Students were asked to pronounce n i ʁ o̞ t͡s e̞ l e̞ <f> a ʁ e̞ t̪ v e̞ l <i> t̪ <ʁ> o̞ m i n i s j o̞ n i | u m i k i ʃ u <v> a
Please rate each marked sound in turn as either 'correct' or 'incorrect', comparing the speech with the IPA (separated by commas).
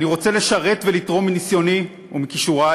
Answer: incorrect, correct, correct, incorrect